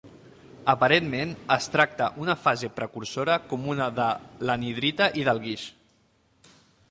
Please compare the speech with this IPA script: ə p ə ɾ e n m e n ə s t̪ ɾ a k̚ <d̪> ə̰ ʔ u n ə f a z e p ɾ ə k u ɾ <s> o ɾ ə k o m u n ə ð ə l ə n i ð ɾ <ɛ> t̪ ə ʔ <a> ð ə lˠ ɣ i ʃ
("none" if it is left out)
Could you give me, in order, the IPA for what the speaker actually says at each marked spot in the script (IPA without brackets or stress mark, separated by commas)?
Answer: t̪, s, i, i